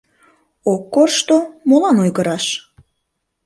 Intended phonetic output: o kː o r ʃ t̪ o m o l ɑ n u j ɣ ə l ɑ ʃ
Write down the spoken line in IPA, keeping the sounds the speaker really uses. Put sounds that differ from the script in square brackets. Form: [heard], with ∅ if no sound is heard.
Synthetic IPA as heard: o kː o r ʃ t̪ o m o l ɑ n [o] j ɣ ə [ɾ] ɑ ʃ